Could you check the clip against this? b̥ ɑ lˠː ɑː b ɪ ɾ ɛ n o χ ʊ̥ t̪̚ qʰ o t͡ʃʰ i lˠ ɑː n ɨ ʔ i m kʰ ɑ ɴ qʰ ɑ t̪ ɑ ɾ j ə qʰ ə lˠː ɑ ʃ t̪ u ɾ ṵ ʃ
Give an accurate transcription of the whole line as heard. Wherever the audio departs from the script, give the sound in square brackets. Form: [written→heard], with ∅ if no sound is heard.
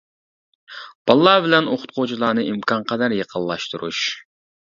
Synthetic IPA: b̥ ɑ lˠː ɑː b ɪ [ɾ→l] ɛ n o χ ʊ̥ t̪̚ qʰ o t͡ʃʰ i lˠ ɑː n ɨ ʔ i m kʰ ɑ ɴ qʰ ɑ [t̪→d̪] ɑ ɾ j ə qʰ ə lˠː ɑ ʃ t̪ u ɾ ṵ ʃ